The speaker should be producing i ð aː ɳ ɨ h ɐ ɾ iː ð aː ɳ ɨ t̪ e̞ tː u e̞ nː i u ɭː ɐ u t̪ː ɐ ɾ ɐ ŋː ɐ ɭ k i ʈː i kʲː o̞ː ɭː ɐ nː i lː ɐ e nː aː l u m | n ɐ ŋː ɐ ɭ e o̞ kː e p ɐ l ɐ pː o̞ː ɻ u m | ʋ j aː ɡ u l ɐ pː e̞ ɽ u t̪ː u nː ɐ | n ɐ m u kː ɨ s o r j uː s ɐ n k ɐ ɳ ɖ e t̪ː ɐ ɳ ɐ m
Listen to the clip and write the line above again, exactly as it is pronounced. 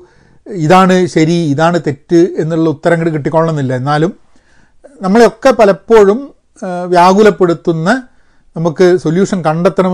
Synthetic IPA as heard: i ð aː ɳ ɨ ɕ ɐ ɾ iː ð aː ɳ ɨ t̪ e̞ tː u e̞ nː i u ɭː ɐ u t̪ː ɐ ɾ ɐ ŋː ɐ ɭ k i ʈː i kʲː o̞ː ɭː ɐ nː i lː ɐ e nː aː l u m | n ɐ mː ɐ ɭ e o̞ kː e p ɐ l ɐ pː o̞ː ɻ u m | ʋ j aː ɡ u l ɐ pː e̞ ɽ u t̪ː u nː ɐ | n ɐ m u kː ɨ s o l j uː ʂ ɐ n k ɐ ɳ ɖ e t̪ː ɐ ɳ ɐ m